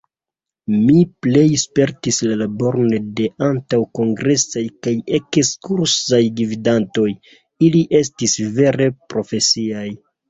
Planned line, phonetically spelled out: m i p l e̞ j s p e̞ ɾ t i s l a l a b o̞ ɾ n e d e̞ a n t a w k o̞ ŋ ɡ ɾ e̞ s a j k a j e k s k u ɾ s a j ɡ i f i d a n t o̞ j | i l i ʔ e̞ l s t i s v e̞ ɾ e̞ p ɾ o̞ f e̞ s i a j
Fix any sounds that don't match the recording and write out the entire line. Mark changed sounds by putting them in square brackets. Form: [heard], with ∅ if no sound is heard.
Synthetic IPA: m i p l e̞ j s p e̞ ɾ t i s l a l a b o̞ ɾ n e d e̞ a n t a w k o̞ ŋ ɡ ɾ e̞ s a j k a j e k s k u ɾ s a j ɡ i [v] i d a n t o̞ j | i l i ʔ e̞ [∅] s t i s v e̞ ɾ e̞ p ɾ o̞ f e̞ s i a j